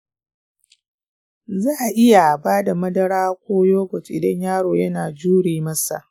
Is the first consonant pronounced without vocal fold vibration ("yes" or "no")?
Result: no